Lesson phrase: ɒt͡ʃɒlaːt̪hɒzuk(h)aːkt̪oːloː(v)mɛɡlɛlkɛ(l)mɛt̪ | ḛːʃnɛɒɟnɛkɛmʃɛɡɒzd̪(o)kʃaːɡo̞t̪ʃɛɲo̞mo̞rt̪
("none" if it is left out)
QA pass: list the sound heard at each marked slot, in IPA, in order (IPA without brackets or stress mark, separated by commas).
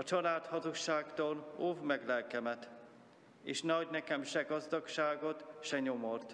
ʃ, v, none, ɒ